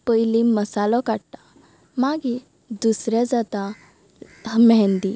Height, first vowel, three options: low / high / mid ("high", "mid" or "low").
mid